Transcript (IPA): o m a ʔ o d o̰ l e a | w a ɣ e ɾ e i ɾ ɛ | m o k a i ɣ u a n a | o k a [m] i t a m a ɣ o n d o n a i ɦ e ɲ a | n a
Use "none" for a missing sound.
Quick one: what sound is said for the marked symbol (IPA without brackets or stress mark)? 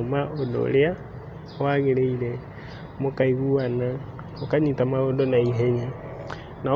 ɲ